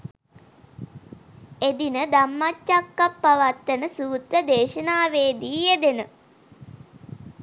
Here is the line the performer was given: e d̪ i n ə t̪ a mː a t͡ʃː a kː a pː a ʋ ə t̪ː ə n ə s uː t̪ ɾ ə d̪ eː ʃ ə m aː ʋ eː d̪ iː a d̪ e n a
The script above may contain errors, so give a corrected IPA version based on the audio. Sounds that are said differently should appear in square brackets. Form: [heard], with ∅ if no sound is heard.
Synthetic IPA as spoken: e d̪ i n ə [d̪] a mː a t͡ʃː a kː a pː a ʋ [a] t̪ː ə n ə s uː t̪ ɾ ə d̪ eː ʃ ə [n] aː ʋ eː d̪ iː [e] d̪ e n [ə]

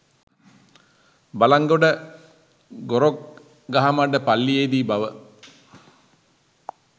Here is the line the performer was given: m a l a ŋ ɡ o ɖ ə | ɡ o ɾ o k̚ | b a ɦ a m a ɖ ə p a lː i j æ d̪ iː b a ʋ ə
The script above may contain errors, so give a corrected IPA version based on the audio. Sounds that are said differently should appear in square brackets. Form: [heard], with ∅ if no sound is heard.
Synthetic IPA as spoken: [b] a l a ŋ ɡ o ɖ ə | ɡ o ɾ o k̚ | [ɡ] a ɦ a m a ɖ ə p a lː i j [e] d̪ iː b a ʋ ə

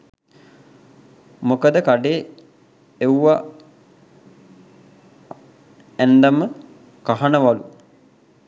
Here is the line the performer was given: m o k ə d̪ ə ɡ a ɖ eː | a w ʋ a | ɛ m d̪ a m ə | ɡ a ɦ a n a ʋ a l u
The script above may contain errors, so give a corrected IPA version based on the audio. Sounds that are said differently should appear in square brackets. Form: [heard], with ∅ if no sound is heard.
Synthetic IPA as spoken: m o k ə d̪ ə [k] a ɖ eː | [e] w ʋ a | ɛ [n] d̪ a m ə | [k] a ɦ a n [ə] ʋ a l u

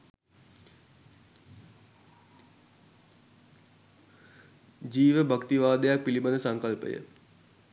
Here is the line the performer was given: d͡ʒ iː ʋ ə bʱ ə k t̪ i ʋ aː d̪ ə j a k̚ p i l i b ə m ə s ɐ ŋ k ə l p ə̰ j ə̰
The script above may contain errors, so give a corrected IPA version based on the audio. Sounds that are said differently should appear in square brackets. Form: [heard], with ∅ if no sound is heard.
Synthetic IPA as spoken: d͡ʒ iː ʋ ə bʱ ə k t̪ i ʋ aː d̪ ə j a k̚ p i l i b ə [n] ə s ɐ ŋ k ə l p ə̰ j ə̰

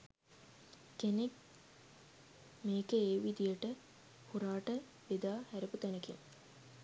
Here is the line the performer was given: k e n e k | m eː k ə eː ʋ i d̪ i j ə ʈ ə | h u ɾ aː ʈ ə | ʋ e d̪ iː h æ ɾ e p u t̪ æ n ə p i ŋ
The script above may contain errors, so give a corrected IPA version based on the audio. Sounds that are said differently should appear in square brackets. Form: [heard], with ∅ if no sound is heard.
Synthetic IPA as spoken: k e n e k | m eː k ə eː ʋ i d̪ i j ə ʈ ə | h u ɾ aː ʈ ə | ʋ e d̪ [aː] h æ ɾ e p u t̪ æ n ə [k] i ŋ

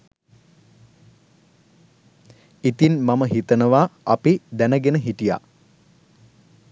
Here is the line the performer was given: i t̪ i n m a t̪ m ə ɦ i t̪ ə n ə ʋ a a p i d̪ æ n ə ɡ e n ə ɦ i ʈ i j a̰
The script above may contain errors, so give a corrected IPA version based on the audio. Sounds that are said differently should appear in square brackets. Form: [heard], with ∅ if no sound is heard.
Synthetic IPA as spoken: i t̪ i n m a [∅] m ə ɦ i t̪ ə n ə ʋ a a p i d̪ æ n ə ɡ e n ə ɦ i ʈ i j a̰

